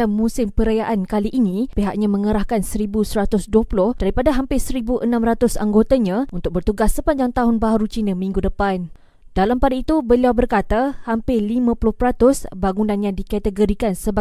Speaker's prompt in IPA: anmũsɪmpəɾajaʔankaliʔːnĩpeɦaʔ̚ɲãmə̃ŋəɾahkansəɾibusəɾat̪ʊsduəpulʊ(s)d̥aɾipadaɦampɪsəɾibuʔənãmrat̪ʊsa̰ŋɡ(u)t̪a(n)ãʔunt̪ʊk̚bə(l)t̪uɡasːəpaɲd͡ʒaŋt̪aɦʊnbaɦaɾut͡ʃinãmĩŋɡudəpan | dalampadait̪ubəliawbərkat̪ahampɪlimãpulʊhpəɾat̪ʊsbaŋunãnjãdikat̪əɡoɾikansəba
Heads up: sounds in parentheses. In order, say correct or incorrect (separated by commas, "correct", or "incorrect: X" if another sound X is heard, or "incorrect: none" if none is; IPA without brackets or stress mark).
incorrect: h, incorrect: o, incorrect: ɲ, incorrect: r